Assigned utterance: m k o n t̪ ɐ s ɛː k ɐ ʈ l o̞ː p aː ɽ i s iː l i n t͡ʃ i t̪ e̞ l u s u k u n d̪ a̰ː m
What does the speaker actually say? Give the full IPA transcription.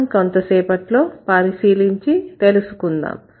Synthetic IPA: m k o n t̪ ɐ s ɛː p ɐ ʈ l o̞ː p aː ɾ i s iː l i ɲ t͡ʃ i t̪ e̞ l u s u k u n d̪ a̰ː m